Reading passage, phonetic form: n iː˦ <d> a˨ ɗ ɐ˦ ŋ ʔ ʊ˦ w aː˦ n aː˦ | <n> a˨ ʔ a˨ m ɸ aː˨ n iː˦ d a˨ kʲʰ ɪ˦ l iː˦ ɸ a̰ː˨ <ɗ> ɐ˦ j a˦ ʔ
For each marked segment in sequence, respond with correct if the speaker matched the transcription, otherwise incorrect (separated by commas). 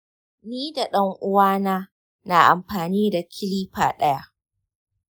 correct, correct, correct